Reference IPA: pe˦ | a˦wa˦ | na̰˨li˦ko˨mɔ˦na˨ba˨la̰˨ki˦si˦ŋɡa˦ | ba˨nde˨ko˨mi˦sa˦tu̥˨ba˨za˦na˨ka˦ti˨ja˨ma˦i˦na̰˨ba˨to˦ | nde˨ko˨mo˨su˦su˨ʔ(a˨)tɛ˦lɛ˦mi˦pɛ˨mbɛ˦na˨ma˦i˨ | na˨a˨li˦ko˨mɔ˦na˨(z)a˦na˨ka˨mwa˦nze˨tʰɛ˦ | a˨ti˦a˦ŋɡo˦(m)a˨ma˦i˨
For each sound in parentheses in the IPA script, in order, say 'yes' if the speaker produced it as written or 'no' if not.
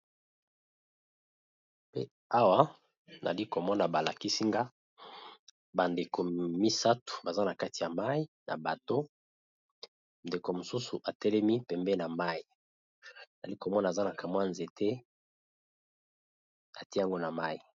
yes, yes, no

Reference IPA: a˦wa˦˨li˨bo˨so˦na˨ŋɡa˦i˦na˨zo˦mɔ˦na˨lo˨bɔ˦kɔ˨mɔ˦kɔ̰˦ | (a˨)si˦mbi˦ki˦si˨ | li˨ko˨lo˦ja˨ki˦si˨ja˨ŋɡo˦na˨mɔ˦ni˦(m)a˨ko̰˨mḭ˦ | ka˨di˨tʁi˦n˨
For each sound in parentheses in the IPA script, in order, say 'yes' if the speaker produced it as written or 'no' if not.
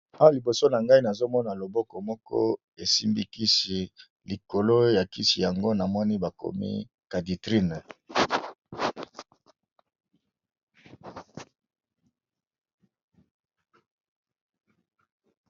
no, no

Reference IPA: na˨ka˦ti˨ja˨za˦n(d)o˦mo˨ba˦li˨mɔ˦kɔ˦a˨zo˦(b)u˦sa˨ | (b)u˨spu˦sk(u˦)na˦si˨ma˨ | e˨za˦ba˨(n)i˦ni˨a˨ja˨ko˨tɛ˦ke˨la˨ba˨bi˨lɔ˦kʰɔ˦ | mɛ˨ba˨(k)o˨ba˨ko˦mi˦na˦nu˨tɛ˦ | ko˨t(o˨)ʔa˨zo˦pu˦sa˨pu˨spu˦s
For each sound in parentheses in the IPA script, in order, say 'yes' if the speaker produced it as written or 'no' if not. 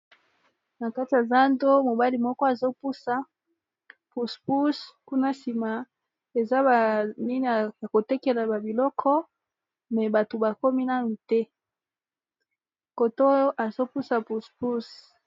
yes, no, no, yes, yes, no, no

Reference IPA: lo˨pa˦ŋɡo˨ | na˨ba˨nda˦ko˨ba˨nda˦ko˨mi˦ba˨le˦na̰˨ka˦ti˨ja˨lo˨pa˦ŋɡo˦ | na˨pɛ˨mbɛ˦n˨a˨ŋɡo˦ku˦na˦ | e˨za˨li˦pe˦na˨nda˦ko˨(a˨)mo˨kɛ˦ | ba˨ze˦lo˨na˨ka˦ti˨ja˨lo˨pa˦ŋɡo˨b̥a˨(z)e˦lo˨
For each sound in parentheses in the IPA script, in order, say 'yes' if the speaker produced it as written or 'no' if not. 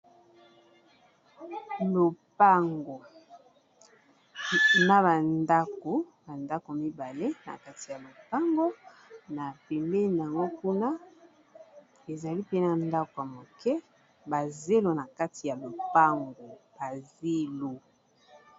yes, yes

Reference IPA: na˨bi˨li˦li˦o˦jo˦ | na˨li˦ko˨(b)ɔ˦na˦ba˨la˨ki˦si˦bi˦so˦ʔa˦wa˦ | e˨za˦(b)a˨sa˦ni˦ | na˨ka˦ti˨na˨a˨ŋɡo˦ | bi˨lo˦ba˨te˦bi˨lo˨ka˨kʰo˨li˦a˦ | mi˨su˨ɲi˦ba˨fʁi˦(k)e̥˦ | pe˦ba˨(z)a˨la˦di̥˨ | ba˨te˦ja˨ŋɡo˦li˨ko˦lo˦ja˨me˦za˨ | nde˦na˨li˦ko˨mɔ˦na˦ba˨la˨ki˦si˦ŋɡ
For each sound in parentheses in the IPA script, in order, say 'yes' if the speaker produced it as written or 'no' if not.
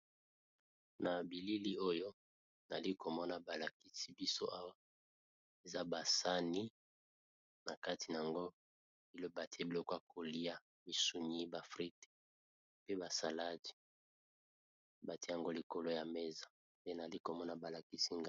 no, yes, no, no

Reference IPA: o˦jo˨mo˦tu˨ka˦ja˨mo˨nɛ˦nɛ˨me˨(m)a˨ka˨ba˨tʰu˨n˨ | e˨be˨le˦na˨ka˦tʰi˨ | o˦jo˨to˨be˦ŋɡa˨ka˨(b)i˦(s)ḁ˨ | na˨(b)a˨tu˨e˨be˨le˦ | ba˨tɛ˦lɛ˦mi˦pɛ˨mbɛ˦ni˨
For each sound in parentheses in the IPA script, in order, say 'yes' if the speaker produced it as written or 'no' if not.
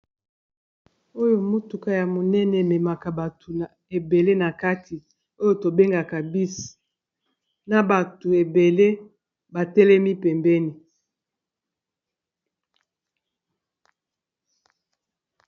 yes, yes, yes, yes

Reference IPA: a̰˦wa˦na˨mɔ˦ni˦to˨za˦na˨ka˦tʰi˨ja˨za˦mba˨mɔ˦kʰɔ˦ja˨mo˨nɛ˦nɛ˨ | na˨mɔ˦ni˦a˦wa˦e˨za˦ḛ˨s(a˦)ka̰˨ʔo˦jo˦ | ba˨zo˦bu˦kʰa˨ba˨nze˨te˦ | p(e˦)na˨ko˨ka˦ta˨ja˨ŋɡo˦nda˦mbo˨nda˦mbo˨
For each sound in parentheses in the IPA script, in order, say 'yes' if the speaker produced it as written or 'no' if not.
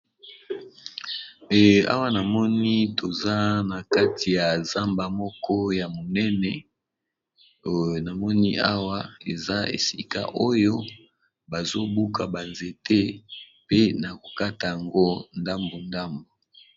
no, yes

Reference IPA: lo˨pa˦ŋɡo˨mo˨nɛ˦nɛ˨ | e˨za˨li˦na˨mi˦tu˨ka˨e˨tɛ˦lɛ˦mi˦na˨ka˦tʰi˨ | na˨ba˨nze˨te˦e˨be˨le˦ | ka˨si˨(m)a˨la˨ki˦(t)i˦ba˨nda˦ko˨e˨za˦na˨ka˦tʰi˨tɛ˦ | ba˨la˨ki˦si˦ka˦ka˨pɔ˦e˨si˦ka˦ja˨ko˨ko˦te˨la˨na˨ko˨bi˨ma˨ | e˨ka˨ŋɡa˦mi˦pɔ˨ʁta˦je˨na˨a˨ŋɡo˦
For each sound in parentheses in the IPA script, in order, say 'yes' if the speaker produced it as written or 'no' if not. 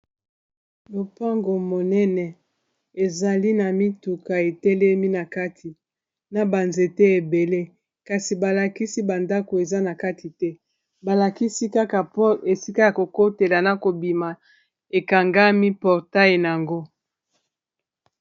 no, no

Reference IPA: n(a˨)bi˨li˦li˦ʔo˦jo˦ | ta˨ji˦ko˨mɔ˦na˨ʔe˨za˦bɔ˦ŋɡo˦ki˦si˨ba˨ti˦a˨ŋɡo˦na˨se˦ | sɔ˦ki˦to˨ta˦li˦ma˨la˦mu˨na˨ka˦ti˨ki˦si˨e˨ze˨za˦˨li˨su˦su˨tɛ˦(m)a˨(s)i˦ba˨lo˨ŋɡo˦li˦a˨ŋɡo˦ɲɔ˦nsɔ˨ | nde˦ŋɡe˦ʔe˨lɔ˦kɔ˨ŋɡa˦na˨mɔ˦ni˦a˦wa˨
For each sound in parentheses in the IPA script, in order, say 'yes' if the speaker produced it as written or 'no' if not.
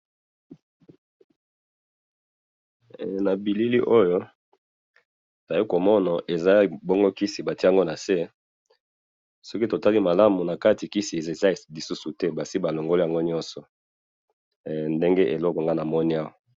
yes, no, yes

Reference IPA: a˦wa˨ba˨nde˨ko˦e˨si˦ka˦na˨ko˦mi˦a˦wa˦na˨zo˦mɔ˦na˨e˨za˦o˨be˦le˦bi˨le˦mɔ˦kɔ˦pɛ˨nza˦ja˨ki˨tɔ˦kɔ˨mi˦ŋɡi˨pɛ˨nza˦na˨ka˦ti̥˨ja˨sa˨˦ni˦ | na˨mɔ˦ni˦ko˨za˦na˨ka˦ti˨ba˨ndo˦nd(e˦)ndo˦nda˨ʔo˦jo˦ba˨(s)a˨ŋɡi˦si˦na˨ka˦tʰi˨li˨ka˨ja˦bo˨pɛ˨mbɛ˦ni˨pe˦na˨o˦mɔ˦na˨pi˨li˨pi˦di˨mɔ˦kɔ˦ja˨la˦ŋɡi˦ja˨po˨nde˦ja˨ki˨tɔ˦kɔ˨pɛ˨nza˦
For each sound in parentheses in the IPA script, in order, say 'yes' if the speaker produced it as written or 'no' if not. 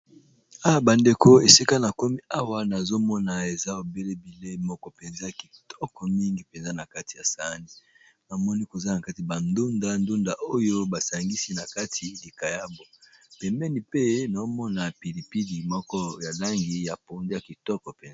no, yes

